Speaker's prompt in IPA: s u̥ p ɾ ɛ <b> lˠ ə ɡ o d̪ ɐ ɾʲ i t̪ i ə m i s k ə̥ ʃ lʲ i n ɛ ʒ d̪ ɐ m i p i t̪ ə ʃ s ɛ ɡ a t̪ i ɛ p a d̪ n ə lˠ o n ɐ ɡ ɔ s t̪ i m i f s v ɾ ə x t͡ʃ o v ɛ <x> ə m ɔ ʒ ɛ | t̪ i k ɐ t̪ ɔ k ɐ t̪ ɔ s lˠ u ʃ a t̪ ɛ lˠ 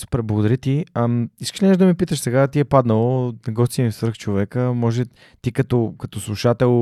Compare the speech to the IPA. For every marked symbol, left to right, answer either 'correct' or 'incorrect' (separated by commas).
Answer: correct, incorrect